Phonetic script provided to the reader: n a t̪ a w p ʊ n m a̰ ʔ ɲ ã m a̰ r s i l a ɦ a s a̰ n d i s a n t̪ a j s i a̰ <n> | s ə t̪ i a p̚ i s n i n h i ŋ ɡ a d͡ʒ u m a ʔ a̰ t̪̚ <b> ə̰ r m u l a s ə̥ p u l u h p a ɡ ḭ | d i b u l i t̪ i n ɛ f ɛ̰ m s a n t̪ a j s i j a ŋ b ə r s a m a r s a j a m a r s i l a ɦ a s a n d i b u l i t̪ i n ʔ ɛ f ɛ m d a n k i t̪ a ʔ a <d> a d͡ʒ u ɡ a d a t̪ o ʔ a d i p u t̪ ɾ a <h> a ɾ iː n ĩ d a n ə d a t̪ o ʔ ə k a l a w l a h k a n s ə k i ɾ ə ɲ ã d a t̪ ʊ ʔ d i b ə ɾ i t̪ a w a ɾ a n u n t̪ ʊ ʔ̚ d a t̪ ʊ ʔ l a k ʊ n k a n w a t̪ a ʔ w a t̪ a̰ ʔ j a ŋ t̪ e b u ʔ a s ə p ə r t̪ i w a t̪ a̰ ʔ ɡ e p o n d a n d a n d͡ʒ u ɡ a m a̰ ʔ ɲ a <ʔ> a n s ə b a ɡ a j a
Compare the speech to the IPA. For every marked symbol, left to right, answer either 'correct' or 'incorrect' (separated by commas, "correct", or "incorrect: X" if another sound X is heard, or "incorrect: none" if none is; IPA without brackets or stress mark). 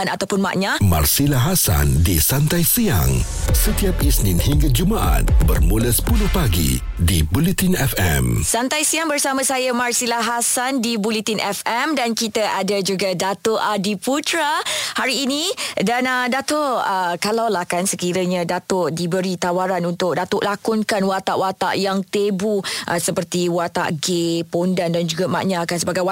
incorrect: ŋ, correct, correct, correct, incorrect: k